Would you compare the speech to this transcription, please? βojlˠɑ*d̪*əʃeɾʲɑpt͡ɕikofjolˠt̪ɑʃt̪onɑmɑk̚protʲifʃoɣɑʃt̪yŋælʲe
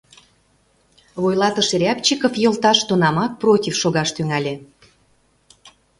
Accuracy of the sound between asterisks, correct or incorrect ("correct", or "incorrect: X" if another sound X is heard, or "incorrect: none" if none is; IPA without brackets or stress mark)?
incorrect: t̪